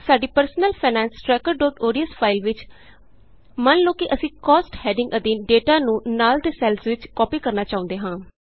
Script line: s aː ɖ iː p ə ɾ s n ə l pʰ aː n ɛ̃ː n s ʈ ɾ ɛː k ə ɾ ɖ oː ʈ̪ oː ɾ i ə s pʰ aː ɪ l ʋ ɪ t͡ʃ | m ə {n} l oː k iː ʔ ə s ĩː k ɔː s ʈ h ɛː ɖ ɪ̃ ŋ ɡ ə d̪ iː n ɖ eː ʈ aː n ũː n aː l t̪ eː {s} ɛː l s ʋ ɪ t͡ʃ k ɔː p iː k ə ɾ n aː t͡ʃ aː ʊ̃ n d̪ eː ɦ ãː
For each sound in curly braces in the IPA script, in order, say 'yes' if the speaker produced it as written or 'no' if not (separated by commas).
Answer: yes, yes